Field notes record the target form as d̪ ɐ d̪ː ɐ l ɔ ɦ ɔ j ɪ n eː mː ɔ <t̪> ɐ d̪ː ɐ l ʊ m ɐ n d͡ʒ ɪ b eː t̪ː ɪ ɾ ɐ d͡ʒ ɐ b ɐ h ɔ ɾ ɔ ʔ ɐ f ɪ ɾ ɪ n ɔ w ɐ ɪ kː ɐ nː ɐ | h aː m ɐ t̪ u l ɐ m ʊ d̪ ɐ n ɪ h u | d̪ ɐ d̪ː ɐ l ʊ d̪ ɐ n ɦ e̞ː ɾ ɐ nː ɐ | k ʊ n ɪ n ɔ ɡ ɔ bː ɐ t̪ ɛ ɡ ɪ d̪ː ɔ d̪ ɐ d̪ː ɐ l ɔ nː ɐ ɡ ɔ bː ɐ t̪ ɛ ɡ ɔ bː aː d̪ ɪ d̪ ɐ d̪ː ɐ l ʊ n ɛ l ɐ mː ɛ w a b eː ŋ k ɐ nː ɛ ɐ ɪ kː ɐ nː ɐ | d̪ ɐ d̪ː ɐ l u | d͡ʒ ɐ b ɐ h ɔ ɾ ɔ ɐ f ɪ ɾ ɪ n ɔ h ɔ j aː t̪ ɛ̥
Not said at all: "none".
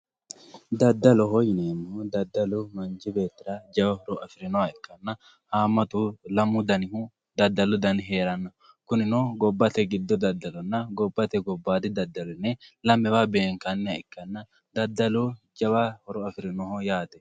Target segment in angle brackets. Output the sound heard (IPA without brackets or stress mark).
d̪